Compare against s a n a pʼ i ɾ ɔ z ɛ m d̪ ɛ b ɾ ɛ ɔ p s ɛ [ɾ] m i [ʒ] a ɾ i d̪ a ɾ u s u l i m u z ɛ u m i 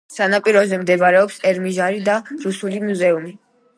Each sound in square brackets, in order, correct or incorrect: correct, correct

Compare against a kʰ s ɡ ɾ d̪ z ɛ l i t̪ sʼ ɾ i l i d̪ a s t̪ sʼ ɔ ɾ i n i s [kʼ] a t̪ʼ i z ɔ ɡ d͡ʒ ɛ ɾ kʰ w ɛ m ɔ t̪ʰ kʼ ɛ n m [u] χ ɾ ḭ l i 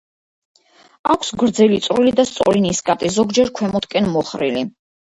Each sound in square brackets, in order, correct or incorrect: correct, incorrect: ɔ

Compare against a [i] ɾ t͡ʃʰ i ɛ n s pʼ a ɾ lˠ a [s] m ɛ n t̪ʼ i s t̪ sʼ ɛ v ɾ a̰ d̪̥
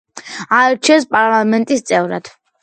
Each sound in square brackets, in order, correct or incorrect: incorrect: ɛ, incorrect: none

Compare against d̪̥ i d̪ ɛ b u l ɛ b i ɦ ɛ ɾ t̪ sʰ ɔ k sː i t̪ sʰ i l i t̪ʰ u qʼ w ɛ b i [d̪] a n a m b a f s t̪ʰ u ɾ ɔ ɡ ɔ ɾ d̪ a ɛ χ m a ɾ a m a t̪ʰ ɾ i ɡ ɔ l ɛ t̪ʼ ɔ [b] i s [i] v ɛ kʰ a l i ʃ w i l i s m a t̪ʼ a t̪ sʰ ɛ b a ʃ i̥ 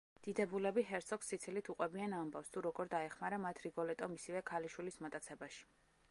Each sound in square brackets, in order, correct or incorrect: incorrect: none, incorrect: m, correct

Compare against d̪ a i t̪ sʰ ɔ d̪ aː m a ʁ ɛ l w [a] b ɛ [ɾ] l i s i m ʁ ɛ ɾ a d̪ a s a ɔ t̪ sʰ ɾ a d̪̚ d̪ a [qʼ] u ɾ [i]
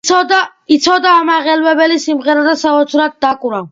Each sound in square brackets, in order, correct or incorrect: incorrect: ɛ, incorrect: none, incorrect: kʼ, incorrect: a

